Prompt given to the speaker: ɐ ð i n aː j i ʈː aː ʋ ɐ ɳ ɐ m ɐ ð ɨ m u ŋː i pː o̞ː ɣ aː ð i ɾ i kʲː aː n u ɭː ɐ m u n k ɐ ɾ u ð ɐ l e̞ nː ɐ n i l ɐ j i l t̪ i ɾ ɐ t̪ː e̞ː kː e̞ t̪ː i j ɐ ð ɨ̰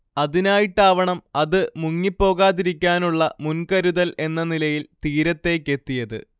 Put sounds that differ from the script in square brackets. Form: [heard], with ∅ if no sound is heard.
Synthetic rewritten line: ɐ ð i n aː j i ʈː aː ʋ ɐ ɳ ɐ m ɐ ð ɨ m u ŋː i pː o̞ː ɣ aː ð i ɾ i kʲː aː n u ɭː ɐ m u n k ɐ ɾ u ð ɐ l e̞ nː ɐ n i l ɐ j i l t̪ [iː] ɾ ɐ t̪ː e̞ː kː e̞ t̪ː i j ɐ ð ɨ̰